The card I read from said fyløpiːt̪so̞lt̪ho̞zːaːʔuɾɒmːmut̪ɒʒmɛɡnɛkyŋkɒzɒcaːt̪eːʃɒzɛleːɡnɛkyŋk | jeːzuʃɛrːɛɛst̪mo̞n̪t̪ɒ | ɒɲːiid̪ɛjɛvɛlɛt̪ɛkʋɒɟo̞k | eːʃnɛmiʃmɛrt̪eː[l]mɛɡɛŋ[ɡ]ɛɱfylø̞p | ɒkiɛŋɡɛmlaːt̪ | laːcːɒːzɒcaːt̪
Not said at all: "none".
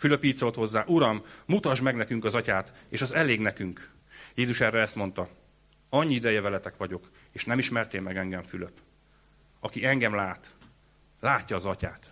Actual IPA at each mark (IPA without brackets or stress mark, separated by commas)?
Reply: l, ɡ